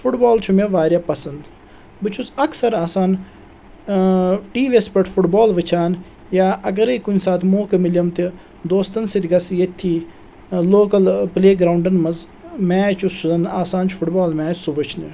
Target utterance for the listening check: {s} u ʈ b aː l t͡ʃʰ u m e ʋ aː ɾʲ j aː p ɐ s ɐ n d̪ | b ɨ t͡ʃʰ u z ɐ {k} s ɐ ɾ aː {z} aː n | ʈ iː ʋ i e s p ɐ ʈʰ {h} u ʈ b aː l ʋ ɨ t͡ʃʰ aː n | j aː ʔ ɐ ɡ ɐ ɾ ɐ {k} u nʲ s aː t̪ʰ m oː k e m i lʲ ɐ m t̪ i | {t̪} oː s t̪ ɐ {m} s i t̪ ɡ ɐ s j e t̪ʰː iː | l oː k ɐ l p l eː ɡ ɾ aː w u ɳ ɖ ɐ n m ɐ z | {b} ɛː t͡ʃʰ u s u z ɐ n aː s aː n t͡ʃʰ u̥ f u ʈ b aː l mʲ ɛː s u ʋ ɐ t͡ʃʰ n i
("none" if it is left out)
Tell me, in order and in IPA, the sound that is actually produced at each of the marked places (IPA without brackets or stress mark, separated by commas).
f, k, s, f, k, d̪, n, m